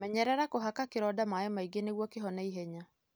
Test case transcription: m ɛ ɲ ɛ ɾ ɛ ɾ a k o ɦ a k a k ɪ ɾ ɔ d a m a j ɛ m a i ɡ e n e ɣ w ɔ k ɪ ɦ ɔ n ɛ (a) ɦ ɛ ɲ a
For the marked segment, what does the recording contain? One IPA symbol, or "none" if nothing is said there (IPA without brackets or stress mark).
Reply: i